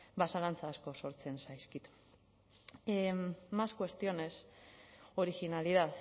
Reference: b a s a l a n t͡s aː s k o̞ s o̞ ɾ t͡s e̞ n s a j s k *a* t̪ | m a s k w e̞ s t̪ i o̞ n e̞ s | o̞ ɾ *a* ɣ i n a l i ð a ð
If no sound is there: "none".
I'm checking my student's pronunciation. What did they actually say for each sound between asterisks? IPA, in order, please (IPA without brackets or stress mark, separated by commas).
i, i